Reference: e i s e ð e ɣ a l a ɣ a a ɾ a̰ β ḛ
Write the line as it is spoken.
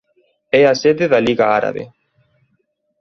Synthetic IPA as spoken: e a s e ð e ð a l i ɣ a a ɾ a̰ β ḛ